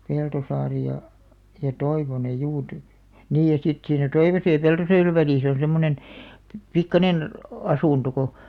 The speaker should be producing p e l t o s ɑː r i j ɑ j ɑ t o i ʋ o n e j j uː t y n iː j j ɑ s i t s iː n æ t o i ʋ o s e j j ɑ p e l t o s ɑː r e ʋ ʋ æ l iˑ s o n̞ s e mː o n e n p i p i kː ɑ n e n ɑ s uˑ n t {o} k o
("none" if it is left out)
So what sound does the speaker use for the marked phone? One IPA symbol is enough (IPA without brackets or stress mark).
o